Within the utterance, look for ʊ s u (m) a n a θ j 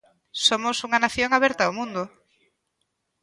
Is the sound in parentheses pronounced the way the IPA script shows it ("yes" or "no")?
no